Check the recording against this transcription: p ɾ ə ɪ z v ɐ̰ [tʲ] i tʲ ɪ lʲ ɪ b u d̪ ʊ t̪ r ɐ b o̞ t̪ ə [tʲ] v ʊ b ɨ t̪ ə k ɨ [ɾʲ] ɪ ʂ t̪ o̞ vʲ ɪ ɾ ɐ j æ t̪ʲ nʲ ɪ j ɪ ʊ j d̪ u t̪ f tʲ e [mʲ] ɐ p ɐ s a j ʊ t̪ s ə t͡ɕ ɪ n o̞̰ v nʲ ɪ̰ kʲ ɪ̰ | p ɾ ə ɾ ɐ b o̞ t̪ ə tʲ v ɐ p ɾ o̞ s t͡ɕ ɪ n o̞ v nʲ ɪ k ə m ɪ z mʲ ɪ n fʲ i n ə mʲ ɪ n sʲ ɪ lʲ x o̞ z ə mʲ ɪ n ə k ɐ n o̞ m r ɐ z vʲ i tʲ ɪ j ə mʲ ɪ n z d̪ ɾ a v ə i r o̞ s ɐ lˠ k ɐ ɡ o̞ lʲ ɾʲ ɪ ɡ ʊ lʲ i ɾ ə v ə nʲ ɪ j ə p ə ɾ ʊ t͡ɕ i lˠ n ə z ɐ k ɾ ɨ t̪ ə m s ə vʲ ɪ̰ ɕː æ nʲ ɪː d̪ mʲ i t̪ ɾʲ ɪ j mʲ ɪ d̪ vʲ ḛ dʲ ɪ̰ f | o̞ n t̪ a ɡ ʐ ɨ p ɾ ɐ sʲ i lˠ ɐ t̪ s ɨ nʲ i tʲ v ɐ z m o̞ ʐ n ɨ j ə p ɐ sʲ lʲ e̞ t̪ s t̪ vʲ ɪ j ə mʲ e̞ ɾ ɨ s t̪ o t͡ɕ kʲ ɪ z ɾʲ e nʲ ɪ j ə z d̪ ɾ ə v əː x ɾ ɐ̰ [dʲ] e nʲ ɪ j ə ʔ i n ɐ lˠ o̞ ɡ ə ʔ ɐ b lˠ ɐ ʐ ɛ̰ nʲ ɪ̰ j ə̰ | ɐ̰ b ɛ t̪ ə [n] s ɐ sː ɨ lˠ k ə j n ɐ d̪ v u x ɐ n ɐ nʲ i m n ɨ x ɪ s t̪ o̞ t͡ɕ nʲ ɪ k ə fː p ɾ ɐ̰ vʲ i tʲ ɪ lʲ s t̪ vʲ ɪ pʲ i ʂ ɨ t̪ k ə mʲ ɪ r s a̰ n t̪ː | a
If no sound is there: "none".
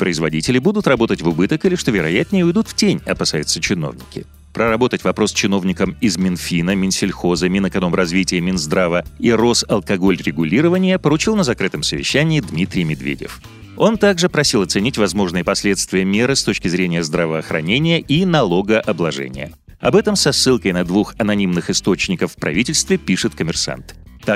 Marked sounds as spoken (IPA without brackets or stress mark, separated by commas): dʲ, tʲ, lʲ, nʲ, nʲ, m